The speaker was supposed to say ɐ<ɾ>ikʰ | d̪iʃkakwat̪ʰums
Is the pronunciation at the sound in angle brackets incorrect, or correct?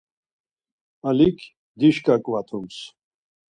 incorrect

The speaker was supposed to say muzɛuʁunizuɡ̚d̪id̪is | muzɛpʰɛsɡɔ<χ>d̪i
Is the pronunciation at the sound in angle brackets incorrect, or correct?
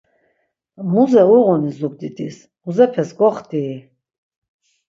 correct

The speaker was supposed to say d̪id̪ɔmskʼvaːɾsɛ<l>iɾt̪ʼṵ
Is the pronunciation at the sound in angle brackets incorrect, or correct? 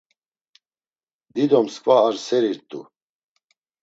incorrect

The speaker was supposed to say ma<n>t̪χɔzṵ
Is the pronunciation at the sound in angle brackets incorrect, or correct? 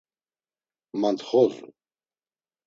correct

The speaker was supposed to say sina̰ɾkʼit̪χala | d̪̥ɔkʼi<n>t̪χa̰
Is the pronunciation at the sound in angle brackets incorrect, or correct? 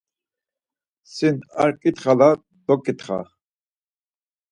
incorrect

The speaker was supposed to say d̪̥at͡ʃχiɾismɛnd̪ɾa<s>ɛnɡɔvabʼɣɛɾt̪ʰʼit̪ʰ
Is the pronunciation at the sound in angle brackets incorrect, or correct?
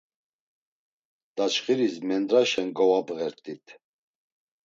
incorrect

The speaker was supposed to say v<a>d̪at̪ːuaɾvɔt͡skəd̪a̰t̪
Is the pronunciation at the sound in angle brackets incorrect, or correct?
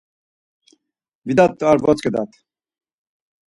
incorrect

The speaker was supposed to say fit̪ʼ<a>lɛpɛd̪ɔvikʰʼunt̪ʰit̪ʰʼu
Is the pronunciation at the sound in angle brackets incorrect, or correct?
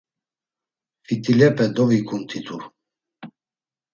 incorrect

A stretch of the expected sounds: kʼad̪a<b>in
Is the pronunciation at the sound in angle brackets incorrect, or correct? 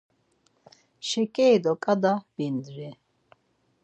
correct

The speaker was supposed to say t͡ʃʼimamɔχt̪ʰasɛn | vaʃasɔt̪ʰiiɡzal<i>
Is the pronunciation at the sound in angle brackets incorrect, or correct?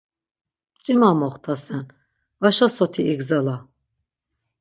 incorrect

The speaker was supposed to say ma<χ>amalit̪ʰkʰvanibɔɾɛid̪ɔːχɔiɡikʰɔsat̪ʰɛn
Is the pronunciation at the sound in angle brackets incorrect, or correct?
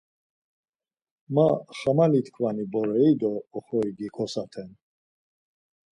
correct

